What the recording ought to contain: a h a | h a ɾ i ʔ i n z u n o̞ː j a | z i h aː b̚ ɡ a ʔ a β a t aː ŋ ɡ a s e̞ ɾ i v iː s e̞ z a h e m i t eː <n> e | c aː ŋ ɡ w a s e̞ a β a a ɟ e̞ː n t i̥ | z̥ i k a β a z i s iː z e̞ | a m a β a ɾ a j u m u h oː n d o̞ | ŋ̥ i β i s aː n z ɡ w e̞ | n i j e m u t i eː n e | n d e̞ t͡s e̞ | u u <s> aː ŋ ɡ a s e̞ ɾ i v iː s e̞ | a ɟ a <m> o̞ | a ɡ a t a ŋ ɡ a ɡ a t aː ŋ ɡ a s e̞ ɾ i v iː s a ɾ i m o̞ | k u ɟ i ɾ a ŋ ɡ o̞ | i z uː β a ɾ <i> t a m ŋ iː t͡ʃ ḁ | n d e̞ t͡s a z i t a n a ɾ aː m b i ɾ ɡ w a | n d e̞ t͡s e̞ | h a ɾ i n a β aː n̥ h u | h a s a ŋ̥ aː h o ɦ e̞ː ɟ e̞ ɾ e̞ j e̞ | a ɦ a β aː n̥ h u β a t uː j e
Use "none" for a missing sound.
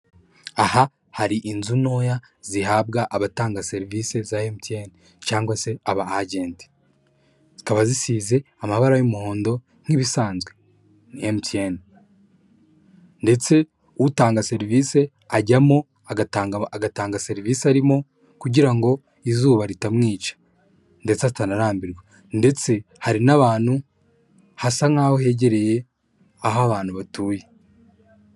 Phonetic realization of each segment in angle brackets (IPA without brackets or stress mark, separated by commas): n, t, m, i